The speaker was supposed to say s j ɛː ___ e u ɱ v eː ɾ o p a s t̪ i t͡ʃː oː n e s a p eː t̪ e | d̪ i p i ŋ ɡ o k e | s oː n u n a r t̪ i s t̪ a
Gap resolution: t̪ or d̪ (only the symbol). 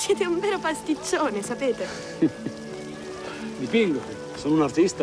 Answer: t̪